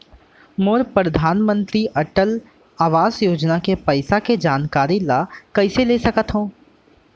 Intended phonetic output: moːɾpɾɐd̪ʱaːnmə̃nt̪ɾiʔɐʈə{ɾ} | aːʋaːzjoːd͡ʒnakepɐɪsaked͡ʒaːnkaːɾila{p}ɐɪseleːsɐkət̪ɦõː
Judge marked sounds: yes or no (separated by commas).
no, no